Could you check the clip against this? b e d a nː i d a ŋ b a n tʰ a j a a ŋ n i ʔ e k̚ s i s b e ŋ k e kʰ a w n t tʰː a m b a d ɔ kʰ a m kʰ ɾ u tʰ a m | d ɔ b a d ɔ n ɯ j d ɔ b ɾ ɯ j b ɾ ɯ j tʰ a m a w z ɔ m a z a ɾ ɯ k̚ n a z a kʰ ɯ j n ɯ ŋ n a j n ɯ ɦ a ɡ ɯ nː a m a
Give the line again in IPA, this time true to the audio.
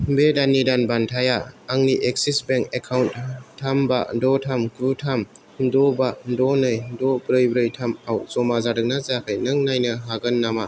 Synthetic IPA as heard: b e d a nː i d a n b a n tʰ a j a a ŋ n i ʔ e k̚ s i s b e ŋ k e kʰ a w n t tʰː a m b a d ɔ tʰ a m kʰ ɾ u tʰ a m | d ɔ b a d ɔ n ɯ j d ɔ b ɾ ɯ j b ɾ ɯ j tʰ a m a w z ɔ m a z a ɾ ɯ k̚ n a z a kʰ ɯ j n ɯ ŋ n a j n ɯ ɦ a ɡ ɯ nː a m a

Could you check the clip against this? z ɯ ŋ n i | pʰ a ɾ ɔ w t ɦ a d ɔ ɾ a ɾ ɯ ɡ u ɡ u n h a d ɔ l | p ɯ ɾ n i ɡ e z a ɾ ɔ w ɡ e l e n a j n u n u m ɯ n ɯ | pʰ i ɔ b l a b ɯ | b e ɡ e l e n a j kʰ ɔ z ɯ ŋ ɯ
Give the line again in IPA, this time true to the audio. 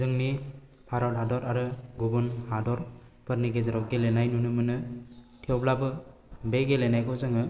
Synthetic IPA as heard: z ɯ ŋ n i | pʰ a ɾ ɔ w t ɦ a d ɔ ɾ a ɾ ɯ ɡ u b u n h a d ɔ ɾ | p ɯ ɾ n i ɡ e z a ɾ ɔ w ɡ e l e n a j n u n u m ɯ n ɯ | tʰ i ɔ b l a b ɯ | b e ɡ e l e n a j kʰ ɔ z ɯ ŋ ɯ

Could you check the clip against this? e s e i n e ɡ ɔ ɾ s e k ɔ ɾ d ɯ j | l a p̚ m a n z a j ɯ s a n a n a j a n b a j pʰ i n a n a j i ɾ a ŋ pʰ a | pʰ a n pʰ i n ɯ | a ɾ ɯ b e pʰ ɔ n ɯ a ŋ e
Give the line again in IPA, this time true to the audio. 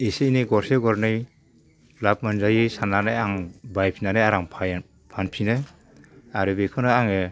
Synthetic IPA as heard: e s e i n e ɡ ɔ ɾ s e ɡ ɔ ɾ n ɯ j | l a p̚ m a n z a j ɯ s a n a n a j a ŋ b a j pʰ i n a n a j a ɾ a ŋ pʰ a | pʰ a n pʰ i n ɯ | a ɾ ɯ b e kʰ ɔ n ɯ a ŋ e

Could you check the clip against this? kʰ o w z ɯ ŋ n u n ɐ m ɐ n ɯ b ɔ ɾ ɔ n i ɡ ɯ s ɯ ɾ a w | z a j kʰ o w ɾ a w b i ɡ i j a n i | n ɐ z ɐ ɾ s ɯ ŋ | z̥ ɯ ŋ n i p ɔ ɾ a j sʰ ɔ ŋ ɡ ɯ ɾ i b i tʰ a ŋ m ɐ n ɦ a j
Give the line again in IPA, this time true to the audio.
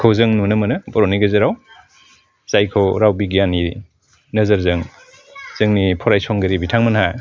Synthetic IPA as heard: kʰ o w z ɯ ŋ n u n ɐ m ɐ n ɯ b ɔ ɾ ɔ n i ɡ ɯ z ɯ ɾ a w | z a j kʰ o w ɾ a w b i ɡ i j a n i | n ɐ z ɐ ɾ z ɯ ŋ | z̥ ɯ ŋ n i pʰ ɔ ɾ a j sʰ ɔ ŋ ɡ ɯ ɾ i b i tʰ a ŋ m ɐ n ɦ a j

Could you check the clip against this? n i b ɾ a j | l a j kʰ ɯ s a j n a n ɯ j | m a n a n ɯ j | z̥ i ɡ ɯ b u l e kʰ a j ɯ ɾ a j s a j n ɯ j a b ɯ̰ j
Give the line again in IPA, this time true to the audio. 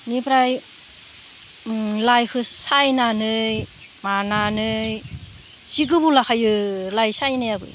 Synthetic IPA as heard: n i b ɾ a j | l a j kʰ ɯ s a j n a n ɯ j | m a n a n ɯ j | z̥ i ɡ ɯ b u l a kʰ a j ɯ l a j s a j n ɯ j a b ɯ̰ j

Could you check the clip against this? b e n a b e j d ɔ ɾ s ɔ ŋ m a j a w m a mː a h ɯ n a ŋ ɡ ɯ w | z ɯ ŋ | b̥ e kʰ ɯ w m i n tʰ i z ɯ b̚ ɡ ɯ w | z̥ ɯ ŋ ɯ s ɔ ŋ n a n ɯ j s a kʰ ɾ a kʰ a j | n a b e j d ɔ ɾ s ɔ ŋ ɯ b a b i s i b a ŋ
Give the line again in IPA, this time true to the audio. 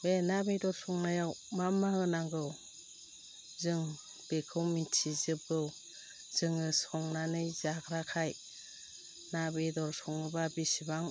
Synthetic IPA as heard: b e n a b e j d ɔ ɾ s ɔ ŋ n a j a w m a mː a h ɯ n a ŋ ɡ ɯ w | z ɯ ŋ | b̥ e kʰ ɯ w m i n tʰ i z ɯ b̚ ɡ ɯ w | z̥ ɯ ŋ ɯ s ɔ ŋ n a n ɯ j z a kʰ ɾ a kʰ a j | n a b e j d ɔ ɾ s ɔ ŋ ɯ b a b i s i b a ŋ

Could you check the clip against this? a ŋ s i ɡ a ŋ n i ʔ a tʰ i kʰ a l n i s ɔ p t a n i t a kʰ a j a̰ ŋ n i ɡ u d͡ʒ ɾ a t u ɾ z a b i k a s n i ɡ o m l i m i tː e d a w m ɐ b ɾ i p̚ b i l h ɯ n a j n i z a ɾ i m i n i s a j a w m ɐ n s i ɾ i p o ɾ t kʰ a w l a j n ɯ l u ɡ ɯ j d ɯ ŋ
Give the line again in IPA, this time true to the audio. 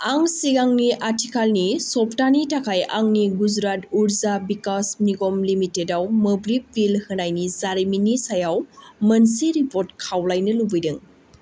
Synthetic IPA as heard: a ŋ s i ɡ a ŋ n i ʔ a tʰ i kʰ a l n i s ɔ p t a n i t a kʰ a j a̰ ŋ n i ɡ u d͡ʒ ɾ a t u ɾ z a b i k a s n i ɡ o m l i m i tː e d a w m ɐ b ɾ i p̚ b i l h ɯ n a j n i z a ɾ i m i n i s a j a w m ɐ n s i ɾ i p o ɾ t kʰ a w l a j n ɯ l u b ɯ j d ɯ ŋ

